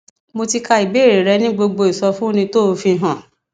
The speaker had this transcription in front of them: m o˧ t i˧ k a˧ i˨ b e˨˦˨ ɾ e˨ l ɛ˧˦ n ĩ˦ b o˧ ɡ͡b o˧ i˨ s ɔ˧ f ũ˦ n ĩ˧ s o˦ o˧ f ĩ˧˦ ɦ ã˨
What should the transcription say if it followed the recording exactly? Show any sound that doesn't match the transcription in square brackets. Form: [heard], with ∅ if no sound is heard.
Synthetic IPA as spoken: m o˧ t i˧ k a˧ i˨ b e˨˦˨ ɾ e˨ [ɾ] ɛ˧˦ n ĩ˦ [ɡ͡b] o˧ ɡ͡b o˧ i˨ s ɔ˧ f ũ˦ n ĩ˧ [t] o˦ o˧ f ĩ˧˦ ɦ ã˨

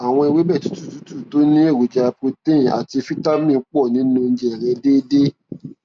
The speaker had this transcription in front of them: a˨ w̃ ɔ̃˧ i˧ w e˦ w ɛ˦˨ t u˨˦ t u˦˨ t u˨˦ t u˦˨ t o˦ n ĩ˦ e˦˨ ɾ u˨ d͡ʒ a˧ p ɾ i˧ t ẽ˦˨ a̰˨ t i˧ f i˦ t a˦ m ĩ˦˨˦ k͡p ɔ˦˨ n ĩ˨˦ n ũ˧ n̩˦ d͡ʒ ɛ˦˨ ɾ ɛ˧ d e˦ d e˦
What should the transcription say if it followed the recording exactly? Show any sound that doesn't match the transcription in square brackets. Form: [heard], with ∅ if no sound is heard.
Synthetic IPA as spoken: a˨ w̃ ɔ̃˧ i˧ w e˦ [b] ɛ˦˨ t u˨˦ t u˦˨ t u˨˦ t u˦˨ t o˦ n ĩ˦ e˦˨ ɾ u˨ d͡ʒ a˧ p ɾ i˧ t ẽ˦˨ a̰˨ t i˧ f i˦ t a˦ m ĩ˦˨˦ k͡p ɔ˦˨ n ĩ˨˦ n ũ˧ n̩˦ d͡ʒ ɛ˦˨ ɾ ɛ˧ d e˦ d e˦

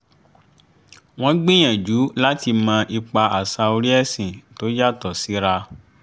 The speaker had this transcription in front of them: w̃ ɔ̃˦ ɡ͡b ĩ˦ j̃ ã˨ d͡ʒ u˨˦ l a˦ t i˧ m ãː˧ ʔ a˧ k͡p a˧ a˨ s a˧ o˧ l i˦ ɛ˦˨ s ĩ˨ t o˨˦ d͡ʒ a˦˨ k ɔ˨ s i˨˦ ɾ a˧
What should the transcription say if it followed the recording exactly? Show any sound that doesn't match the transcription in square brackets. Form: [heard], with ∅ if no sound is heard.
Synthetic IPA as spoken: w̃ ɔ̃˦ ɡ͡b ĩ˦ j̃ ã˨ d͡ʒ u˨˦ l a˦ t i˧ m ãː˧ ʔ [i˧] k͡p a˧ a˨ s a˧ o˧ [ɾ] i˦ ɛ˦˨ s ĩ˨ t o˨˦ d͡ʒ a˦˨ [t] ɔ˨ s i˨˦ ɾ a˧

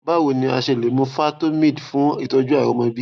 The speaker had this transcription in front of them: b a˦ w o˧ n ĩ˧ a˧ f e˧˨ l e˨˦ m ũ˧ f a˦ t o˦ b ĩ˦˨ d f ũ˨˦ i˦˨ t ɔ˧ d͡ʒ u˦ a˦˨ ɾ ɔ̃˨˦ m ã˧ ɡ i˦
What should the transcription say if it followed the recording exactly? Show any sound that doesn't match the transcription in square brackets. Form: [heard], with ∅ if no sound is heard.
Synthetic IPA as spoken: b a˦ w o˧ n ĩ˧ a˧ [ʃ] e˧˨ l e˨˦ m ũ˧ f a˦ t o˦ [m] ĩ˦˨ d f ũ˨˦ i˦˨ t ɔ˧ d͡ʒ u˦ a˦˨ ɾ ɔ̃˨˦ m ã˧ [b] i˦

